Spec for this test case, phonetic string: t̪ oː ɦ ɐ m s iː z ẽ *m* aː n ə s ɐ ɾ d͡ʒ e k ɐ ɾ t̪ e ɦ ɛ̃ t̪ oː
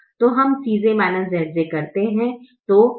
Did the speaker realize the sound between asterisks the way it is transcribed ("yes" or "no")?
yes